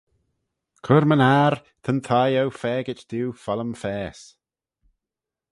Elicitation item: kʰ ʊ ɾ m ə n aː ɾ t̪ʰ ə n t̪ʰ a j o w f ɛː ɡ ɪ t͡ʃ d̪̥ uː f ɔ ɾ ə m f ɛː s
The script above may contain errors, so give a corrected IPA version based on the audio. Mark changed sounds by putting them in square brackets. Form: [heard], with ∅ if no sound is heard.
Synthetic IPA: kʰ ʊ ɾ m ə n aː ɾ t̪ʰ ə n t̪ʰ a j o w f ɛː ɡ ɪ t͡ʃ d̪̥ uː f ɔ [l] ə m f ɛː s